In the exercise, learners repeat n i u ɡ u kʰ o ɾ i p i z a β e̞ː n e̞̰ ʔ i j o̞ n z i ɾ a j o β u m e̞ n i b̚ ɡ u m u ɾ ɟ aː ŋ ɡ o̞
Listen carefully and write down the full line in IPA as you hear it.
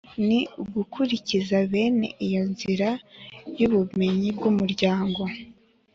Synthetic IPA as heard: n i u ɡ u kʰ u ɾ i c i z a β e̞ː n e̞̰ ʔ i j o̞ n z i ɾ a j u β u m e̞ ɲ i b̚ ɡ u m u ɾ ɟ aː ŋ ɡ o̞